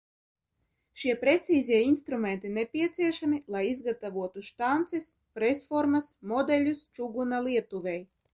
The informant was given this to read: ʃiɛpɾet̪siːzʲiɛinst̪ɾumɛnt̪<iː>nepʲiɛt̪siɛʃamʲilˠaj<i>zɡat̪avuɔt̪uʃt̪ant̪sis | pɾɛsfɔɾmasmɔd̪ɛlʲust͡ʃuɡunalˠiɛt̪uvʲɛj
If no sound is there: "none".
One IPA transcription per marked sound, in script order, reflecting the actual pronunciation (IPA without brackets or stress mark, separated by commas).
i, i